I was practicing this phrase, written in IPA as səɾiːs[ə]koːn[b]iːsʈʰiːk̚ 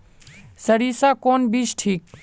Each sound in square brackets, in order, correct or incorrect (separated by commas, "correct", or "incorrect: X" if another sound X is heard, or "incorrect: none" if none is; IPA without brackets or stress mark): incorrect: a, correct